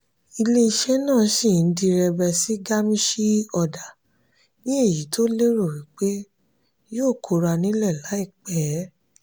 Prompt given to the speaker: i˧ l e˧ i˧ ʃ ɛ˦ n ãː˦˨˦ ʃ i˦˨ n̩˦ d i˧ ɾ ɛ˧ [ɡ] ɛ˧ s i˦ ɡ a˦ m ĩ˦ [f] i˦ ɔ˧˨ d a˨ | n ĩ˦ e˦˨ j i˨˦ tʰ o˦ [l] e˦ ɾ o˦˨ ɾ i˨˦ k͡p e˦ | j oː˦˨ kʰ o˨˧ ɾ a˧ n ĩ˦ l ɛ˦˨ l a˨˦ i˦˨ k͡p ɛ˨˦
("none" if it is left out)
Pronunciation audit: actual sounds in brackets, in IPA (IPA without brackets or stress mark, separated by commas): b, ʃ, l